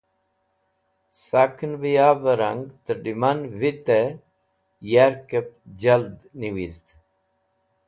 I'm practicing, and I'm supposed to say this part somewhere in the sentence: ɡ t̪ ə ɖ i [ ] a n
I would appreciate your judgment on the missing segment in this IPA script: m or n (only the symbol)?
m